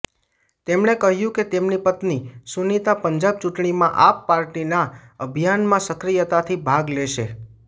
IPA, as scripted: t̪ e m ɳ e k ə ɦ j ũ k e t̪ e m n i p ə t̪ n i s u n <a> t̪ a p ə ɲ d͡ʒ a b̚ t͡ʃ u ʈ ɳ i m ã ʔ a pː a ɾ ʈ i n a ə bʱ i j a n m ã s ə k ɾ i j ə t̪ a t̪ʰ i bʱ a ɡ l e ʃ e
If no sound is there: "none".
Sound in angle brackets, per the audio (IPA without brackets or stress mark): i